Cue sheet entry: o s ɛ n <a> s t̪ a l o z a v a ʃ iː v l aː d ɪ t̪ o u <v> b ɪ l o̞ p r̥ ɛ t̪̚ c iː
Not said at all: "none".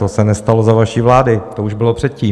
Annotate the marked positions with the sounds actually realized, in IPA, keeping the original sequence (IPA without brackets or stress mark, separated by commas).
ɛ, ʒ